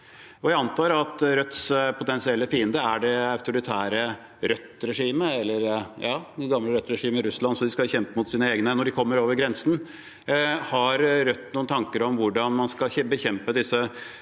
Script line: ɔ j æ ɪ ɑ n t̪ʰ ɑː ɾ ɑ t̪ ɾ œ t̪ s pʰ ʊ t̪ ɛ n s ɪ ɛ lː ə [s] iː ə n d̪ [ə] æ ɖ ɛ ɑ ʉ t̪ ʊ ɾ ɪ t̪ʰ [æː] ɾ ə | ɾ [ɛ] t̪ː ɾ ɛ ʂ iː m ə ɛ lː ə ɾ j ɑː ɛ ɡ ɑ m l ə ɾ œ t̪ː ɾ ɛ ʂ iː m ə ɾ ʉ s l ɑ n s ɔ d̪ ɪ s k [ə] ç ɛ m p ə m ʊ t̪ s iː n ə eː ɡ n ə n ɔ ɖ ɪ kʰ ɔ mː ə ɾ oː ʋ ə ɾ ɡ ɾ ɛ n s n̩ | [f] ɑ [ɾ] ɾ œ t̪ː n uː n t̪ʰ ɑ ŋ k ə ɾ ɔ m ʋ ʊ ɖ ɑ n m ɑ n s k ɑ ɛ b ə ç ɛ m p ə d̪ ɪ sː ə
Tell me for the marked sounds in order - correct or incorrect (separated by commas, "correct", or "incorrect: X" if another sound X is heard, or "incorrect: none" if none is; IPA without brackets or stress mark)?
incorrect: f, correct, correct, incorrect: œ, incorrect: ɑ, incorrect: h, correct